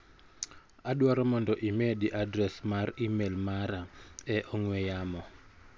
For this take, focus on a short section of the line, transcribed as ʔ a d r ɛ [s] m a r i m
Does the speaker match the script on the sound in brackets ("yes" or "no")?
yes